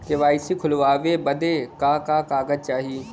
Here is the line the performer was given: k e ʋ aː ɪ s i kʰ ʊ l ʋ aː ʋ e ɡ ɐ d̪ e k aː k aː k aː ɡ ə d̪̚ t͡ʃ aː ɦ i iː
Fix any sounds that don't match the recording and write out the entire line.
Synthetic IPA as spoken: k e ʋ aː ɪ s i kʰ ʊ l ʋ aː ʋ e b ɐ d̪ e k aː k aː k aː ɡ ə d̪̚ t͡ʃ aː ɦ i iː